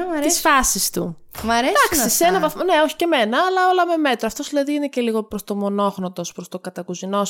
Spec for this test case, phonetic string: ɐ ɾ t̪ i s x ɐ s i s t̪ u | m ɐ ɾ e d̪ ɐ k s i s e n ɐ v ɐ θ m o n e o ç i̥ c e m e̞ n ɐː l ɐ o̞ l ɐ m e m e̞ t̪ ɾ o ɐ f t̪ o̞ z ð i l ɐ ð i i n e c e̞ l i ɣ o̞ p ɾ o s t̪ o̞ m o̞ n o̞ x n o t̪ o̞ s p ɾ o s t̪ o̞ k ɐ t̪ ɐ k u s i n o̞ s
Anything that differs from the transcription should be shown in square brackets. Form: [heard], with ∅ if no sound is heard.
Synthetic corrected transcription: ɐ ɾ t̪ i s [f] ɐ s i s t̪ u | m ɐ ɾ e d̪ ɐ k s i s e n ɐ v ɐ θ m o n e o ç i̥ c e m e̞ n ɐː l ɐ o̞ l ɐ m e m e̞ t̪ ɾ o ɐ f t̪ o̞ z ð i l ɐ ð i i n e c e̞ l i ɣ o̞ p ɾ o s t̪ o̞ m o̞ n o̞ x n o t̪ o̞ s p ɾ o s t̪ o̞ k ɐ t̪ ɐ k u [z] i n o̞ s